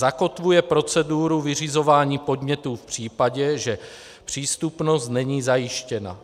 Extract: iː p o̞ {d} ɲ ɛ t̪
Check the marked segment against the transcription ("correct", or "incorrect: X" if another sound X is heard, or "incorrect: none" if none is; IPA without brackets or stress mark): correct